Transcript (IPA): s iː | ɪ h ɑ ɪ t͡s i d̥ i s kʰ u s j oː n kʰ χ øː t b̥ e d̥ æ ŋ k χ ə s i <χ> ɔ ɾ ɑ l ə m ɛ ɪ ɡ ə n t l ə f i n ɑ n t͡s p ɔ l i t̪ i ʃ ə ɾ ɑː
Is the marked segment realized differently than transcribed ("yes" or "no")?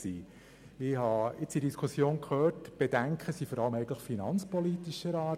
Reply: yes